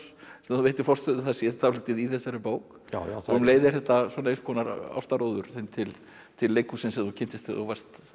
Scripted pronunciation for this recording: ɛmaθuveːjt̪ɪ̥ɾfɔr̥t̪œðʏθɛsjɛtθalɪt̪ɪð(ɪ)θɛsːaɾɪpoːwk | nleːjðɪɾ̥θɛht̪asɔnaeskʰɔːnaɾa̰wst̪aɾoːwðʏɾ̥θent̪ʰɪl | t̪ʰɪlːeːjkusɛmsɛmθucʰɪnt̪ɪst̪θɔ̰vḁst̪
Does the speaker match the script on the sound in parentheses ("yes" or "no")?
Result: no